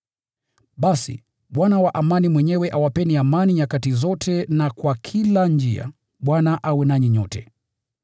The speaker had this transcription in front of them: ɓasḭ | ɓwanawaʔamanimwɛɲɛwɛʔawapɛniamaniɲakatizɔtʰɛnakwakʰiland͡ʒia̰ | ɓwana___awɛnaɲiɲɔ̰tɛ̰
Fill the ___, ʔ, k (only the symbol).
ʔ